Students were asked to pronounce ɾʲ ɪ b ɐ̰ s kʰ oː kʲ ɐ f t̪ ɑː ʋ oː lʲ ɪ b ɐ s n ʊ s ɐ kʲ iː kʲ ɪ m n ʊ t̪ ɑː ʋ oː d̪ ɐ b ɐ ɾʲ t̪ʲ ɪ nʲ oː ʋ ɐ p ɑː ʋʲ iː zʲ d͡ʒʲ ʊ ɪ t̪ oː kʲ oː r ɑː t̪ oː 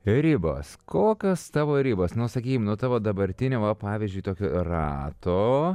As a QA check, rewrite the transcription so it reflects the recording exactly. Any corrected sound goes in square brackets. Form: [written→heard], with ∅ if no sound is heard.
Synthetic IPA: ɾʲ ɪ b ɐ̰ s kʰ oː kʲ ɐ [f→s] t̪ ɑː ʋ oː [lʲ→ɾʲ] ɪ b ɐ s n ʊ s ɐ kʲ iː kʲ ɪ m n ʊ t̪ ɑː ʋ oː d̪ ɐ b ɐ ɾʲ t̪ʲ ɪ nʲ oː ʋ ɐ p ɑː ʋʲ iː zʲ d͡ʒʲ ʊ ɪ t̪ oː kʲ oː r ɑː t̪ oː